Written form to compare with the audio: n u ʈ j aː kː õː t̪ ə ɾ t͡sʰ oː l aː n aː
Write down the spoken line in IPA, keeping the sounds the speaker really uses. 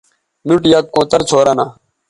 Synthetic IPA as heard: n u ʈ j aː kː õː t̪ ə ɾ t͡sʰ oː ɾ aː n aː